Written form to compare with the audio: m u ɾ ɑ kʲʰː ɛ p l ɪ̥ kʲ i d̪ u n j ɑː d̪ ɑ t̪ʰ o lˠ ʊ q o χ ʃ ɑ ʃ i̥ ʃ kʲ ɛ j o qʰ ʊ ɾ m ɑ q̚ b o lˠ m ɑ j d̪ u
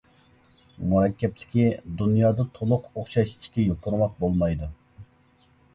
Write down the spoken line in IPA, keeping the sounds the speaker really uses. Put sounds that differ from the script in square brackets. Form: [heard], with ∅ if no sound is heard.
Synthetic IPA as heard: m u ɾ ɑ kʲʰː ɛ p l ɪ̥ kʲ i d̪ u n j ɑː d̪ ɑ t̪ʰ o lˠ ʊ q o χ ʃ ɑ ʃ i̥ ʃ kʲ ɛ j o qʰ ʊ ɾ m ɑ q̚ b o lˠ m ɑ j d̪ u